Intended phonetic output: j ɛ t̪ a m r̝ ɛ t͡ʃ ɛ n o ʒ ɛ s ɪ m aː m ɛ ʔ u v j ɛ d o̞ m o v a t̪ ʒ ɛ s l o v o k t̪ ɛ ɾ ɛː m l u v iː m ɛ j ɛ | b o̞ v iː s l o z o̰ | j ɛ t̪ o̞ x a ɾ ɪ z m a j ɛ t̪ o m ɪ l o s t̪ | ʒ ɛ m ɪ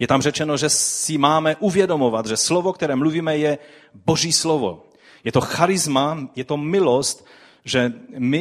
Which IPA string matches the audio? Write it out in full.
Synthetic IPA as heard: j ɛ t̪ a m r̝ ɛ t͡ʃ ɛ n o ʒ ɛ s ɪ m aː m ɛ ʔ u v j ɛ d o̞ m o v a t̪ ʒ ɛ s l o v o k t̪ ɛ ɾ ɛː m l u v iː m ɛ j ɛ | b o̞ ʒ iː s l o v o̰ | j ɛ t̪ o̞ x a ɾ ɪ z m a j ɛ t̪ o m ɪ l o s t̪ | ʒ ɛ m ɪ